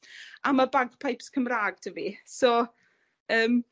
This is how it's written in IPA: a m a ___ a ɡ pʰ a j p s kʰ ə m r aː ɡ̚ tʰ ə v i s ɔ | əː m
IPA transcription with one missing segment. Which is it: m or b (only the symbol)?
b